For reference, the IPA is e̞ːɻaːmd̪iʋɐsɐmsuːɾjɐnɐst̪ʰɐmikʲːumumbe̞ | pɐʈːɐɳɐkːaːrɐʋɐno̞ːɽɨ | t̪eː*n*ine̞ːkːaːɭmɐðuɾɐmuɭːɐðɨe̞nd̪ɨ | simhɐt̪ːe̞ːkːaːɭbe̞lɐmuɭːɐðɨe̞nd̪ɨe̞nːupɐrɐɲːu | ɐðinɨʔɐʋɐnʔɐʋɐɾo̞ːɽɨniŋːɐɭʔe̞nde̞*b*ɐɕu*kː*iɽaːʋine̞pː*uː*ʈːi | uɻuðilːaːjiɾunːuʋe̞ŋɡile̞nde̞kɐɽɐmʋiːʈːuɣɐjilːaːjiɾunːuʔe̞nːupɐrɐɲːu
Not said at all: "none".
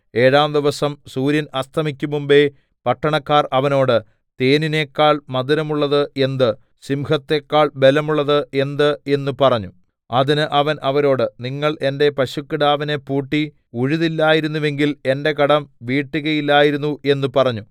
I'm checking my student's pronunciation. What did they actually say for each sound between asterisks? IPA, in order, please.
n, p, kː, uː

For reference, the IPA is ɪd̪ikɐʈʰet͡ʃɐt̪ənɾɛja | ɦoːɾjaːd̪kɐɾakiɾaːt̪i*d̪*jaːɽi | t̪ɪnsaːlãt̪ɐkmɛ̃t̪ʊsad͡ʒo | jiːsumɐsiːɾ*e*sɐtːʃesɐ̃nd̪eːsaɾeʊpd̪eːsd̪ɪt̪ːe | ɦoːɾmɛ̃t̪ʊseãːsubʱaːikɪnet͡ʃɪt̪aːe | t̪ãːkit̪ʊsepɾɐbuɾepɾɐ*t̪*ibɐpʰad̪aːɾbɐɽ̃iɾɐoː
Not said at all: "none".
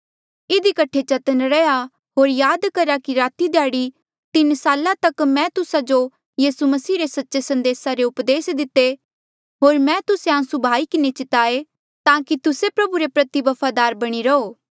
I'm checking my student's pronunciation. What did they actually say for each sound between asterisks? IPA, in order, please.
d̪, e, t̪

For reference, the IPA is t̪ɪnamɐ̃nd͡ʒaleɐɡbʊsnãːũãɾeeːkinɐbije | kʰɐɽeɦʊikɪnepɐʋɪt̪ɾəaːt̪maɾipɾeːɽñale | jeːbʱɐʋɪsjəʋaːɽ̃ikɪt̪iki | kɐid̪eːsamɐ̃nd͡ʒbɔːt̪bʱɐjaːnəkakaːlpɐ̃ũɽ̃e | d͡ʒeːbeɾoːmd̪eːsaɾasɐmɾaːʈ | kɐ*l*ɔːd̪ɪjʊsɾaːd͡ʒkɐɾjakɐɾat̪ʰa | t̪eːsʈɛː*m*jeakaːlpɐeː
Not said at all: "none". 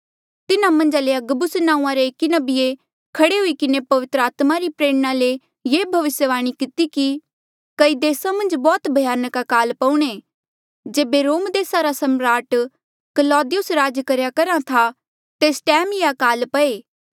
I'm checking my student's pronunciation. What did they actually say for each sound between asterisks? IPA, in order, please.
l, m

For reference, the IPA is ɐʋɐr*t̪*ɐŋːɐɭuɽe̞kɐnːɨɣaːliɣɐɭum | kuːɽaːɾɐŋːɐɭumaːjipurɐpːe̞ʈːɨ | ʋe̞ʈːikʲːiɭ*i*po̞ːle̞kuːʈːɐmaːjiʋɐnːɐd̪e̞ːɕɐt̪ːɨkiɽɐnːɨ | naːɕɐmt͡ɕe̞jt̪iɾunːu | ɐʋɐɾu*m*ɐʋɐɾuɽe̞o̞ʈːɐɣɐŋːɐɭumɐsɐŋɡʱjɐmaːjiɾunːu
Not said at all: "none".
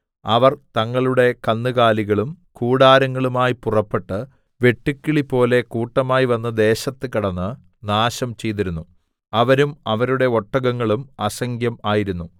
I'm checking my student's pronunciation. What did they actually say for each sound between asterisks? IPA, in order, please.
t̪, i, m

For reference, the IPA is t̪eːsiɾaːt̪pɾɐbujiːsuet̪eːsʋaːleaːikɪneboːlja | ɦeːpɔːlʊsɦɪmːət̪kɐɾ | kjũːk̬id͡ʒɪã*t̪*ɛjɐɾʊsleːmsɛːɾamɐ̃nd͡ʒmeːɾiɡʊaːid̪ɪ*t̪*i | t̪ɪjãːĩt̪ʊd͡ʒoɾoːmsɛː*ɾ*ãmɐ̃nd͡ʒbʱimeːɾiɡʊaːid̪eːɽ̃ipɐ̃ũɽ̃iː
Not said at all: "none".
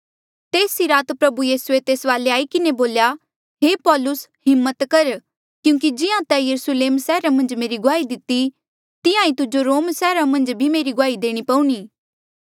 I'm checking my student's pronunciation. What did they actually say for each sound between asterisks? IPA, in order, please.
t̪, t̪, ɾ

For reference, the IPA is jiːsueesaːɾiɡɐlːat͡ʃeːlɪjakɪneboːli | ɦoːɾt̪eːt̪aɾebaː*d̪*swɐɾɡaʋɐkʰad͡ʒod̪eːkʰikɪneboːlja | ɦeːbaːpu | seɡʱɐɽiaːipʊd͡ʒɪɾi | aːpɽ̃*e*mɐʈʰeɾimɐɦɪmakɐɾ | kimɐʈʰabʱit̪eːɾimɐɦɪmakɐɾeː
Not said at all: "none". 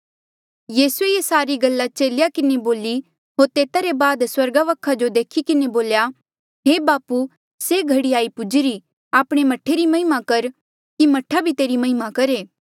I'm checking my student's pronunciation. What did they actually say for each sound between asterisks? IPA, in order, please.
d̪, e

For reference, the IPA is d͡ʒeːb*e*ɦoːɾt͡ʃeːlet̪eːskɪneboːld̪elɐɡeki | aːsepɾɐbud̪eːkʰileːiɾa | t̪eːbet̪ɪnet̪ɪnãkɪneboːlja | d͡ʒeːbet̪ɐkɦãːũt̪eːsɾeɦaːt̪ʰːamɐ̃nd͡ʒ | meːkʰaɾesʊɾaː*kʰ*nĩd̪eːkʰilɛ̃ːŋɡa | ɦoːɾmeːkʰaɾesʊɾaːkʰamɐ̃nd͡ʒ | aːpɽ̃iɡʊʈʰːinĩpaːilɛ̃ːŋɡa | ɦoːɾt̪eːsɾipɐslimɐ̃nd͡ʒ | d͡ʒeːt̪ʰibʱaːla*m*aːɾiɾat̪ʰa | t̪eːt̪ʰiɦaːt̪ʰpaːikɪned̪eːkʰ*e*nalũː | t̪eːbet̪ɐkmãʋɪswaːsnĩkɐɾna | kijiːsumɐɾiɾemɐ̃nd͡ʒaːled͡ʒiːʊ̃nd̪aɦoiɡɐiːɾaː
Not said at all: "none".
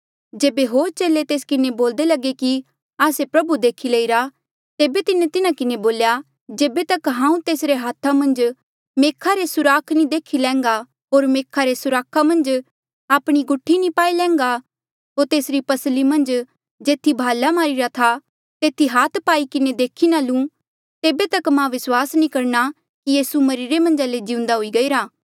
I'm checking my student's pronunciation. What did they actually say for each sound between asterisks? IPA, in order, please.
e, kʰ, m, i

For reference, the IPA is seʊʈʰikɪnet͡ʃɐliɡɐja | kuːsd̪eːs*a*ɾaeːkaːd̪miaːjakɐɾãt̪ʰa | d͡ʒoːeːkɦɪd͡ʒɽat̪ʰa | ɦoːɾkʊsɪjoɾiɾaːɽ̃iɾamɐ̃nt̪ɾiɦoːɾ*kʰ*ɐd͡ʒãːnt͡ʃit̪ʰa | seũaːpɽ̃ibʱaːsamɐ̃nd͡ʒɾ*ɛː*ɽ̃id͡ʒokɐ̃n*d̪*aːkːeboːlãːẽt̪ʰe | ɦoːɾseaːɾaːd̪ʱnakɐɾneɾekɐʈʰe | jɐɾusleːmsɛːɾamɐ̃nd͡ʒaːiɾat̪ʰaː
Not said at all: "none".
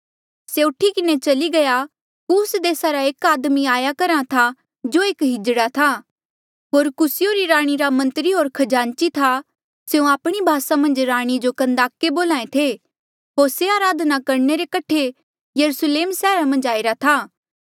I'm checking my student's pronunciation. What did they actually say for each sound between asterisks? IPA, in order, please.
a, kʰ, aː, d̪

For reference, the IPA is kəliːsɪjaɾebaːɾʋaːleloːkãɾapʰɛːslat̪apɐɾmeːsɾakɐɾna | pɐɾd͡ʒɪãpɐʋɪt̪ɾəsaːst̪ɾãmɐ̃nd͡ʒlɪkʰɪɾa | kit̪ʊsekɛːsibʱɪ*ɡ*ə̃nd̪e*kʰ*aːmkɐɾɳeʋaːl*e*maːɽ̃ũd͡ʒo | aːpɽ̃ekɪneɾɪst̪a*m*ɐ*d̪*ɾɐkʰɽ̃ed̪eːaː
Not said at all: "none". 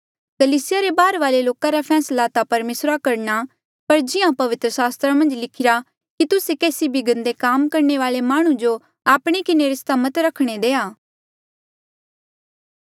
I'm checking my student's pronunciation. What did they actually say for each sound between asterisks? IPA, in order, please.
ɡ, k, e, m, t̪

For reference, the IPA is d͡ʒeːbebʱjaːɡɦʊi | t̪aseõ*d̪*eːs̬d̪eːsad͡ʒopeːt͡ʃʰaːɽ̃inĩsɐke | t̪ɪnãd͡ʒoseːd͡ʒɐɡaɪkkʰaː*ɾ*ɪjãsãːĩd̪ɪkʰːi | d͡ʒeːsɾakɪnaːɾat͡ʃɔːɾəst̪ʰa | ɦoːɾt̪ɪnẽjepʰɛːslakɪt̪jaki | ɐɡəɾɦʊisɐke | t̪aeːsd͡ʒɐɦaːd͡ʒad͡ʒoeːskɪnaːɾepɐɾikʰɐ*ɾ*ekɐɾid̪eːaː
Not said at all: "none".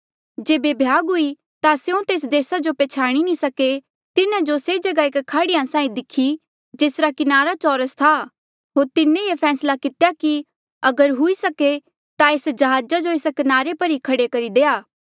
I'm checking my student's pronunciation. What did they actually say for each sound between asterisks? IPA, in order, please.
t̪, ɽ, ɽ

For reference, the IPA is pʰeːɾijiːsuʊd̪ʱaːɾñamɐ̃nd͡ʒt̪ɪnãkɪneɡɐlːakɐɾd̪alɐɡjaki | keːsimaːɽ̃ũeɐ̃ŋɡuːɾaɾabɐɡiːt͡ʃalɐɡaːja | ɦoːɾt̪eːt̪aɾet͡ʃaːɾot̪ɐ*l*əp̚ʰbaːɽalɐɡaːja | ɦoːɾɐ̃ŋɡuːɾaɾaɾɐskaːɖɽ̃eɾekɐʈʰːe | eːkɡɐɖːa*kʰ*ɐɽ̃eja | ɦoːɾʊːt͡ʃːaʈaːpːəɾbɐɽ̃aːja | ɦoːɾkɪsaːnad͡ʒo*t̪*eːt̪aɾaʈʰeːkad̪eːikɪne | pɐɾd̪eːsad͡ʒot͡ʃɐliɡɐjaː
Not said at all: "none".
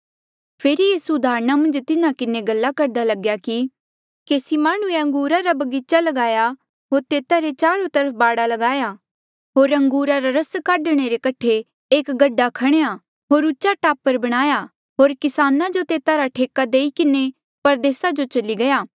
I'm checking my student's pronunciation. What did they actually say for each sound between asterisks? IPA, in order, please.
ɾ, kʰ, t̪

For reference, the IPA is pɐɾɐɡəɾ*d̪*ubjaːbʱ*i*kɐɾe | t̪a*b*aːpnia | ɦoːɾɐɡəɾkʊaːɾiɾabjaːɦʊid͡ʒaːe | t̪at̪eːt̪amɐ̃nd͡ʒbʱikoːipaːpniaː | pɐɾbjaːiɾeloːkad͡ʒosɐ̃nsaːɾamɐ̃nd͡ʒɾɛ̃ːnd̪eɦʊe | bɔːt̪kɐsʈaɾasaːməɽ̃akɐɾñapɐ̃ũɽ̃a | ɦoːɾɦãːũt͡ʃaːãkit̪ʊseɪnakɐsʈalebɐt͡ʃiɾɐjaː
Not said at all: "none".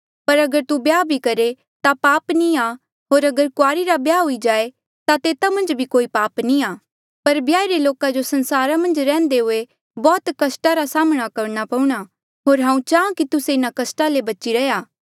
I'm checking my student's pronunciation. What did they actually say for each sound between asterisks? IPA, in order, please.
t̪, i, p

